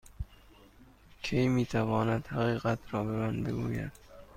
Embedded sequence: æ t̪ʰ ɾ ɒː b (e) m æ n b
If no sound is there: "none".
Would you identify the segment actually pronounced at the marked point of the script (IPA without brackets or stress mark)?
e